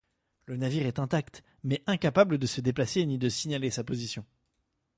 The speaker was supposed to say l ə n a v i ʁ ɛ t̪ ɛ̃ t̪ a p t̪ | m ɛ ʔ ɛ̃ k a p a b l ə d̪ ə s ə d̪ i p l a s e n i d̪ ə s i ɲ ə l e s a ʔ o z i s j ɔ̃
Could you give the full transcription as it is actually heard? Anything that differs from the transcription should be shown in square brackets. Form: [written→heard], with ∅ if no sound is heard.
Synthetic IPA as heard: l ə n a v i ʁ ɛ t̪ ɛ̃ t̪ a [p→k] t̪ | m ɛ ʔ ɛ̃ k a p a b l ə d̪ ə s ə d̪ [i→e] p l a s e n i d̪ ə s i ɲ [ə→a] l e s a [ʔ→p] o z i s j ɔ̃